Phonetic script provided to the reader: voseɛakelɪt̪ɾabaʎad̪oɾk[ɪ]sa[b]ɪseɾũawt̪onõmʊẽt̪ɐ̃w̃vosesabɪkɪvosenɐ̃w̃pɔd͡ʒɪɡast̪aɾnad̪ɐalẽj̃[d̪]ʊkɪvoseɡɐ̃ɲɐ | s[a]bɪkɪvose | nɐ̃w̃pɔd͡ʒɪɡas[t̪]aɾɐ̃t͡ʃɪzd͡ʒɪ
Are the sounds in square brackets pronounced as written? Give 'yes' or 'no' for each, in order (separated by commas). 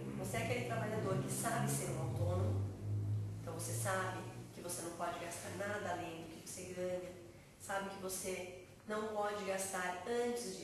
yes, yes, yes, yes, yes